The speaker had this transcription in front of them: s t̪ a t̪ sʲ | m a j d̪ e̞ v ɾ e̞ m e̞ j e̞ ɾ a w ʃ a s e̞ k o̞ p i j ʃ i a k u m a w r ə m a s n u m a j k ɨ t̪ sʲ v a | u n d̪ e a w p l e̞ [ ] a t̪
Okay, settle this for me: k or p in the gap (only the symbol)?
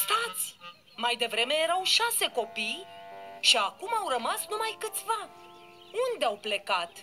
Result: k